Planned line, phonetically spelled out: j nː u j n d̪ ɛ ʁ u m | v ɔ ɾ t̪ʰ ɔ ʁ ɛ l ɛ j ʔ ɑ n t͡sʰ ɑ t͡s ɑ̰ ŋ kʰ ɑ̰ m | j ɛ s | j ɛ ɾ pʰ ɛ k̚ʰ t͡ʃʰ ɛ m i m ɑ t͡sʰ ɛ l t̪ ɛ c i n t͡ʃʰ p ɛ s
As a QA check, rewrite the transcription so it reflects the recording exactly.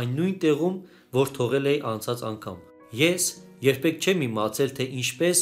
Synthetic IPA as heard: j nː u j n t̪ ɛ ʁ u m | v ɔ ɾ t̪ʰ ɔ ʁ ɛ l ɛ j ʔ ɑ n t͡sʰ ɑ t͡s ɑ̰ ŋ kʰ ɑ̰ m | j ɛ s | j ɛ ɾ pʰ ɛ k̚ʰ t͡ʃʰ ɛ m i m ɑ t͡sʰ ɛ l t̪ʰ ɛ ʔ i n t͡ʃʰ p ɛ s